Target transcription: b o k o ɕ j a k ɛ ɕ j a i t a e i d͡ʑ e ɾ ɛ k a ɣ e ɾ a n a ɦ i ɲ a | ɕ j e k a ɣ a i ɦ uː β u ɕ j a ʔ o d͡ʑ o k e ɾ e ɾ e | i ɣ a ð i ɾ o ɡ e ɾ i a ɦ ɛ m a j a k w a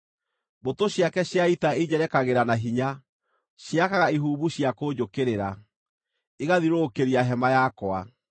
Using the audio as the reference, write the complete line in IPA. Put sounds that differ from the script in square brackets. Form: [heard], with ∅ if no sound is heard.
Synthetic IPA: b o [t] o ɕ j a k ɛ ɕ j a i t a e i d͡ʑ [ɛ] ɾ ɛ k a ɣ e ɾ a n a ɦ i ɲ a | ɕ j [a] k a ɣ a i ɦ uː β u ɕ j a [k] o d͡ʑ o k e ɾ e ɾ [a] | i ɣ a ð i ɾ o [k] e ɾ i a ɦ ɛ m a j a k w a